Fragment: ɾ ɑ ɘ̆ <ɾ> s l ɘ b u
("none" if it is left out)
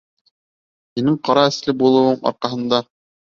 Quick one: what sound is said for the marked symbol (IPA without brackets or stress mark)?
none